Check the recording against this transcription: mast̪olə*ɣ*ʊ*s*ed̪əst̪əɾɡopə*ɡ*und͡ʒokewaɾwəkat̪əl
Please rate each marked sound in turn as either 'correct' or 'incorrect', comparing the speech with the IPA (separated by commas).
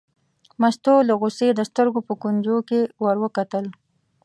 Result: correct, correct, incorrect